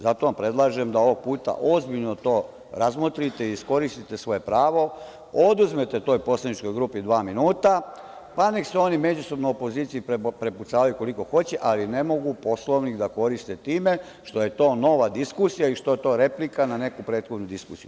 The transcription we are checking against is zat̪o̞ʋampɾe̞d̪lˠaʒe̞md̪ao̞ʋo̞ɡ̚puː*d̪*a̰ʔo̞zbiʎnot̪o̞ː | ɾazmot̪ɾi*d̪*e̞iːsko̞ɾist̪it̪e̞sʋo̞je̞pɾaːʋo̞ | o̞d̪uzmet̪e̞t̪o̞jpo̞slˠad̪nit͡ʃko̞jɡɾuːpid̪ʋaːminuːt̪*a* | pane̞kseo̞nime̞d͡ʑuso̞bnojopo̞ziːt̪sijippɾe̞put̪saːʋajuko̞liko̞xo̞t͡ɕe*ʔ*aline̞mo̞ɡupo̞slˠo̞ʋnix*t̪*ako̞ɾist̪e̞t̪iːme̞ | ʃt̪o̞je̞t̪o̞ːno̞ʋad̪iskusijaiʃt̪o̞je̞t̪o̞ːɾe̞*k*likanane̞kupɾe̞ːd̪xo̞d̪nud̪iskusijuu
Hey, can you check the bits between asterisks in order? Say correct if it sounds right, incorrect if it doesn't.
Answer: incorrect, incorrect, correct, correct, incorrect, incorrect

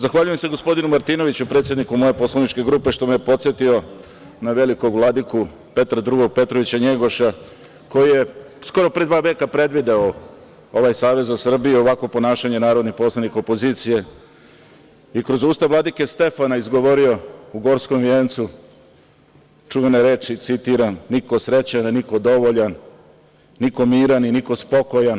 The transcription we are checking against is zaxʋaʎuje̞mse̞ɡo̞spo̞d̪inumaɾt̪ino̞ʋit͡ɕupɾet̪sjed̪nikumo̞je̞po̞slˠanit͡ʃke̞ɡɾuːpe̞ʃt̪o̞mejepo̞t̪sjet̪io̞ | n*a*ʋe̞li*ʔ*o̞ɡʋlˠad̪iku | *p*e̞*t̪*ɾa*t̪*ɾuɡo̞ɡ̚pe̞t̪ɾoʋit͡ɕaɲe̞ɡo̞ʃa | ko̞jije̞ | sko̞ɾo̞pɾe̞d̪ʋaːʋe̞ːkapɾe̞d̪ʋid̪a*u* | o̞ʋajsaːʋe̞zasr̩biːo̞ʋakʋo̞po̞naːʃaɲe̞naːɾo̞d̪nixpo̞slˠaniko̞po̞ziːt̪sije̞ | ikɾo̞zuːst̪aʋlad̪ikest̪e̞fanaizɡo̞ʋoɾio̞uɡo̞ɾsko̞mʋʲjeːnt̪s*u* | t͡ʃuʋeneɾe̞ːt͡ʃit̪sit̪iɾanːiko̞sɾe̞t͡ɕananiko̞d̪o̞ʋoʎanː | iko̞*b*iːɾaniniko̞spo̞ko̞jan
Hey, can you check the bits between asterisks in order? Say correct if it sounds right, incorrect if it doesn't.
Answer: correct, incorrect, correct, correct, incorrect, incorrect, correct, incorrect

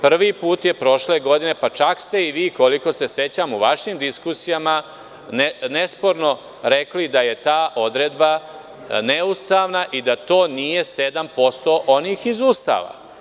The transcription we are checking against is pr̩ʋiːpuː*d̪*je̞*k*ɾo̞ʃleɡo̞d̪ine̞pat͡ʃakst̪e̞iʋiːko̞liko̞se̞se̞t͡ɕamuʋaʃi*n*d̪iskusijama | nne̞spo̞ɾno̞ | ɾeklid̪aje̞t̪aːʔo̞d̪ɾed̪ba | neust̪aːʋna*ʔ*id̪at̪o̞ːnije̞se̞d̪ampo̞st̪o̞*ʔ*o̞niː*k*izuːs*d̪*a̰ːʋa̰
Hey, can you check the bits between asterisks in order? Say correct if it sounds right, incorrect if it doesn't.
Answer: incorrect, incorrect, incorrect, correct, correct, incorrect, incorrect

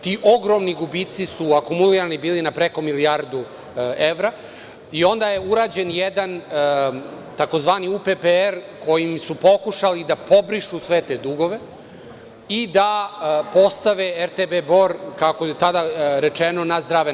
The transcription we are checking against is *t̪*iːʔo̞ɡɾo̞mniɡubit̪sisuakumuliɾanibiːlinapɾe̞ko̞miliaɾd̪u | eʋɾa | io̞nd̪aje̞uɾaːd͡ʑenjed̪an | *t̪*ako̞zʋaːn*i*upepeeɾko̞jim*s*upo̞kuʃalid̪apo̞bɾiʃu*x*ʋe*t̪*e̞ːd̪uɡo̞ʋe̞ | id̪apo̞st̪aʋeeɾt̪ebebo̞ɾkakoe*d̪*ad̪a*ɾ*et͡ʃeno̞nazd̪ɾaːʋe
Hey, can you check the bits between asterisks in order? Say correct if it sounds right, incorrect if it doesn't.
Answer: correct, correct, correct, correct, incorrect, correct, incorrect, correct

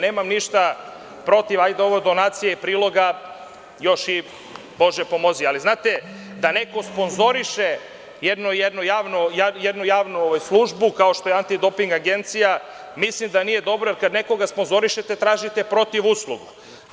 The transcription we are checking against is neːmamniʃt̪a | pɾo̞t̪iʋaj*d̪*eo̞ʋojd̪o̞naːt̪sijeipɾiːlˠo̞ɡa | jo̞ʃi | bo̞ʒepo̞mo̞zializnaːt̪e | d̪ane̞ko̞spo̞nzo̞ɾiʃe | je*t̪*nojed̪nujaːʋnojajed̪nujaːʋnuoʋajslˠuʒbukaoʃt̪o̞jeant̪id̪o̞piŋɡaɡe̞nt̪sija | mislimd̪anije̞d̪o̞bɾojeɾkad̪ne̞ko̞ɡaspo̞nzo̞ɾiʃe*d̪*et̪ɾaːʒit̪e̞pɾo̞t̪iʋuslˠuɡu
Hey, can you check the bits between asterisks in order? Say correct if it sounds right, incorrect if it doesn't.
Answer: correct, incorrect, incorrect

